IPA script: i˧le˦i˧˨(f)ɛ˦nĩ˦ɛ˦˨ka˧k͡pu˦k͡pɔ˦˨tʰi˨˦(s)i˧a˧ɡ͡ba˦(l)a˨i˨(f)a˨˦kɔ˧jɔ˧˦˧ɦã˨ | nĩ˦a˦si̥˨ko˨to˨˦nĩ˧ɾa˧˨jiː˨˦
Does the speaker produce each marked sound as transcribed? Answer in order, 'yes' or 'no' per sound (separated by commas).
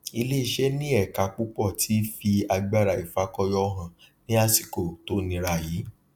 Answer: no, no, no, yes